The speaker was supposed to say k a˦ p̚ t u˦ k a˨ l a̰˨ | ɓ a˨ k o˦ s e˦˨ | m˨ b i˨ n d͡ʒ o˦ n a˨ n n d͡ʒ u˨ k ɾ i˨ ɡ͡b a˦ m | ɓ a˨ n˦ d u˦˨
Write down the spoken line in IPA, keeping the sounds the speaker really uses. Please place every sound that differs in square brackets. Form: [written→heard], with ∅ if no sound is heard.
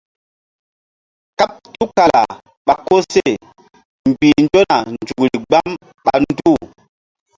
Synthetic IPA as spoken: k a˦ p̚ t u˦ k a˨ l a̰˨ | ɓ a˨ k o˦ s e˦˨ | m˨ b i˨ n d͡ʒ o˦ n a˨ n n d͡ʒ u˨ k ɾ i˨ ɡ͡b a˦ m | ɓ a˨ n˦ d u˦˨